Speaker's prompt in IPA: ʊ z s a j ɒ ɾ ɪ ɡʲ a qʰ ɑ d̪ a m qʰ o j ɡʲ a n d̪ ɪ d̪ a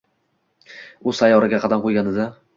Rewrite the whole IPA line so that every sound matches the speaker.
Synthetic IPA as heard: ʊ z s a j ɒ ɾ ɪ ɡʲ a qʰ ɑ d̪ a m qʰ o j ɡʲ a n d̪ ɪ d̪ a